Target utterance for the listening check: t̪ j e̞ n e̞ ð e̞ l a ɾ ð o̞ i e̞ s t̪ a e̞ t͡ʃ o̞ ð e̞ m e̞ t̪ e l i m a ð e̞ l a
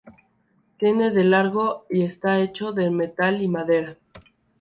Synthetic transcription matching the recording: t̪ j e̞ n e̞ ð e̞ l a ɾ ɣ o̞ i e̞ s t̪ a e̞ t͡ʃ o̞ ð e̞ m e̞ t̪ a l i m a ð e̞ ɾ a